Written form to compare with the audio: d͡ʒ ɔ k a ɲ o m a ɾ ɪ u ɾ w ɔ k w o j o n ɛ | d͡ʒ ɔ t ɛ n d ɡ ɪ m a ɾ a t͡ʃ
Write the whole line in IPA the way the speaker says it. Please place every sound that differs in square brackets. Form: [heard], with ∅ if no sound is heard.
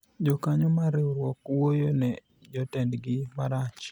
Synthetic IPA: d͡ʒ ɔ k a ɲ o m a ɾ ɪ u ɾ w ɔ k w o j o n ɛ | d͡ʒ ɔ t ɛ n d ɡ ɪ m a ɾ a t͡ʃ

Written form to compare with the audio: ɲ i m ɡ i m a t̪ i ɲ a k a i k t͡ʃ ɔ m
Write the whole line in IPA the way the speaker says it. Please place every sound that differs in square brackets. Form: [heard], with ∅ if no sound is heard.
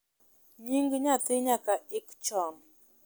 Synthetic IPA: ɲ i [ŋ] ɡ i [ɲ] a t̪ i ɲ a k a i k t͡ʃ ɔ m

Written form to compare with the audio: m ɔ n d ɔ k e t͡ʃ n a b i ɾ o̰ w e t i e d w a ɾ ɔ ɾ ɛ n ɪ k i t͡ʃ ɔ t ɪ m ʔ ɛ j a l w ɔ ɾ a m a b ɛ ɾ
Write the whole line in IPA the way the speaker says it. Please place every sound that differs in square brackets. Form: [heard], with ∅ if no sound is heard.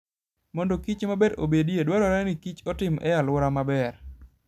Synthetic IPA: m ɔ n d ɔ k [i] t͡ʃ [m] a b [e] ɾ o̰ [b] e [d] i e d w a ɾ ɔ ɾ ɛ n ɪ k i t͡ʃ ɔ t ɪ m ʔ ɛ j a l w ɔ ɾ a m a b ɛ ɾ

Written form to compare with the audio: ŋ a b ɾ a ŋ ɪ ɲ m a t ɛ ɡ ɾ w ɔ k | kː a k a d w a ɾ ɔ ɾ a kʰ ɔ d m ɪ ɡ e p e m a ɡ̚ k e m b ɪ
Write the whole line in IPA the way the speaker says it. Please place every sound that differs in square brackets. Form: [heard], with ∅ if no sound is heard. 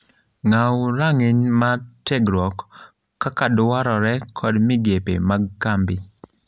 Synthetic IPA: ŋ a [w] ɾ a ŋ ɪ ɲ m a t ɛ ɡ ɾ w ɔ k | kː a k a d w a ɾ ɔ ɾ [ɛ] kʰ ɔ d m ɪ ɡ e p e m a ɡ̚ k [a] m b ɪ

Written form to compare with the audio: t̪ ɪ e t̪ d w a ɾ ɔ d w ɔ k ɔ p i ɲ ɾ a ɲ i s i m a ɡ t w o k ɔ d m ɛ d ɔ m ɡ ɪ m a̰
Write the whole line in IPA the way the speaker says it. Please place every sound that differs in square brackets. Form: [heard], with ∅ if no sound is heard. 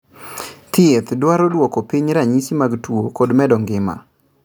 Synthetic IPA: t̪ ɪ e t̪ d w a ɾ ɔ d w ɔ k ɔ p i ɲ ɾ a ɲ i s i m a ɡ t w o k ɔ d m ɛ d ɔ [ŋ] ɡ ɪ m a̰

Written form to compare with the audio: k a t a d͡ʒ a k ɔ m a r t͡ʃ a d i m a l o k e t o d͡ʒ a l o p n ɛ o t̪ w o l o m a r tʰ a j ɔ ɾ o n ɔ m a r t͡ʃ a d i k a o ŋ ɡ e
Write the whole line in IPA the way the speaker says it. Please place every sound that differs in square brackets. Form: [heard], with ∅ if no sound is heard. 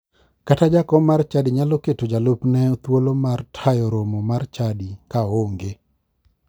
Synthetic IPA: k a t a d͡ʒ a k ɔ m a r t͡ʃ a d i [ɲ] a l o k e t o d͡ʒ a l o p n ɛ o t̪ w o l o m a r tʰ a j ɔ ɾ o [m] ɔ m a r t͡ʃ a d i k a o ŋ ɡ e

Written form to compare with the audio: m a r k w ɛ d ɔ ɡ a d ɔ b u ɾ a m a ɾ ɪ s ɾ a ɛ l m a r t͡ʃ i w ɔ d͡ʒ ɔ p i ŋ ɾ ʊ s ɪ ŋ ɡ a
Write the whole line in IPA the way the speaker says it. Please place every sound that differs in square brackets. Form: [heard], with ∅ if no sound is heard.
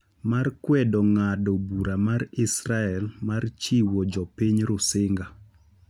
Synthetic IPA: m a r k w ɛ d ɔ [ŋ] a d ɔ b u ɾ a m a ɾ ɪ s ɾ a ɛ l m a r t͡ʃ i w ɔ d͡ʒ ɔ p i [ɲ] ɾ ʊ s ɪ ŋ ɡ a

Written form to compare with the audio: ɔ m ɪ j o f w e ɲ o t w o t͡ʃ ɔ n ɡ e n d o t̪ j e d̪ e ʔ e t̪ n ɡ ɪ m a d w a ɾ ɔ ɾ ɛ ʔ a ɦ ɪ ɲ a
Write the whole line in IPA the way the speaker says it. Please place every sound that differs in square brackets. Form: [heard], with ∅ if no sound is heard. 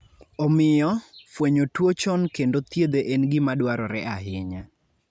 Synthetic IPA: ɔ m ɪ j [ɔ] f w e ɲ o t w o t͡ʃ ɔ n [k] e n d o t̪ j e d̪ e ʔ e [∅] n ɡ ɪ m a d w a ɾ ɔ ɾ ɛ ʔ a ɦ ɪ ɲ a

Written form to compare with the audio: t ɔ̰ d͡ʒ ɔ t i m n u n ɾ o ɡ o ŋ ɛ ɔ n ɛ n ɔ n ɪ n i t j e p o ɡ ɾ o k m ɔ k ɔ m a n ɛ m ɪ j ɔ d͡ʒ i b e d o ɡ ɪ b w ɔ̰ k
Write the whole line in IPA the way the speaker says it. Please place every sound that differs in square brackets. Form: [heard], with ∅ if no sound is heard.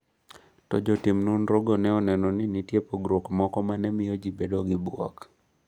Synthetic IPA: t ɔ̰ d͡ʒ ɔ t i m n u n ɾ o ɡ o [n] ɛ ɔ n ɛ n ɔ n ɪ n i t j e p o ɡ ɾ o k m ɔ k ɔ m a n ɛ m ɪ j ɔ d͡ʒ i b e d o ɡ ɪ b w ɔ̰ k

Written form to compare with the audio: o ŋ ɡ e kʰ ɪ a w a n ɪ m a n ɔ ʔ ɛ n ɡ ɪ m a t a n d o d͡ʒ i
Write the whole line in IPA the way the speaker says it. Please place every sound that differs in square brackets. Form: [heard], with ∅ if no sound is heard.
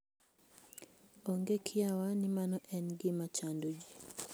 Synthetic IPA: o ŋ ɡ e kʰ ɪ a w a n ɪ m a n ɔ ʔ ɛ n ɡ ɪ m a [t͡ʃ] a n d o d͡ʒ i

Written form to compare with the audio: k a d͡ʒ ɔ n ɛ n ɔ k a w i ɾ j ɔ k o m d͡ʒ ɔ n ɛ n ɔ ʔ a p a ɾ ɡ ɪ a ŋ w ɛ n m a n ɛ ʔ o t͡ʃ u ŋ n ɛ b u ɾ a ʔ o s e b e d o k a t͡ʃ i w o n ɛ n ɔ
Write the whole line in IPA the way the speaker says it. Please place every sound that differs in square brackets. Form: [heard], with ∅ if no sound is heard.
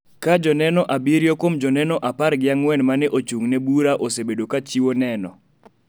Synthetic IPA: k a d͡ʒ ɔ n ɛ n ɔ [ʔ] a [b] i ɾ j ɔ k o m d͡ʒ ɔ n ɛ n ɔ ʔ a p a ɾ ɡ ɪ a ŋ w ɛ n m a n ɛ ʔ o t͡ʃ u ŋ n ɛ b u ɾ a ʔ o s e b e d o k a t͡ʃ i w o n ɛ n ɔ

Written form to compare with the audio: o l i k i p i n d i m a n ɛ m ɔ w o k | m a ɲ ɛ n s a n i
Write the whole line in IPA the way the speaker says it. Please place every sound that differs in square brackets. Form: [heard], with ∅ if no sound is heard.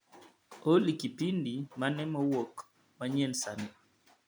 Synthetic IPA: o l i k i p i n d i m a n ɛ m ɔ w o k | m a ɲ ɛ n s a n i

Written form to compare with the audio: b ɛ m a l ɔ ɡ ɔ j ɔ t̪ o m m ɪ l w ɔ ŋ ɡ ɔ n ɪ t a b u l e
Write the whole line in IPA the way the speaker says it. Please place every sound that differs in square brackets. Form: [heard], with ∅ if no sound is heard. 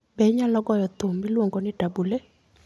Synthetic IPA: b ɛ [ɲ] a l ɔ ɡ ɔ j ɔ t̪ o m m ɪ l w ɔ ŋ ɡ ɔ n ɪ t a b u l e

